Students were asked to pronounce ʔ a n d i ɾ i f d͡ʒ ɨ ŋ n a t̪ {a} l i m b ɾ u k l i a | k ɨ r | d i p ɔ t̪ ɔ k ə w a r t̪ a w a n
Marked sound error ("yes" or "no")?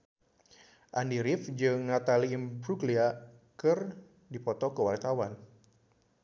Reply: no